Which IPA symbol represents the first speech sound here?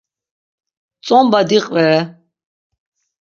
t͡sʼ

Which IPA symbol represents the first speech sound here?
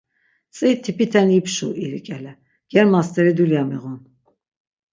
t͡sʼ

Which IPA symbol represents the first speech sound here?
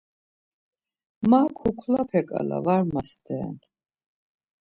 m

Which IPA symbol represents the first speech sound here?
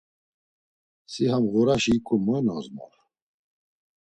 s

